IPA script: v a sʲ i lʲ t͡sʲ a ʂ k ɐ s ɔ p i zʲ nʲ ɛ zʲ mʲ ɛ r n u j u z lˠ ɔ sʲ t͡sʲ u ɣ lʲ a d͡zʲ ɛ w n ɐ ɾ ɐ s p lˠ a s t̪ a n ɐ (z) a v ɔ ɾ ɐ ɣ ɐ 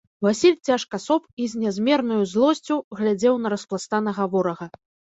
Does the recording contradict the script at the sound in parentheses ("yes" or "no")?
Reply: yes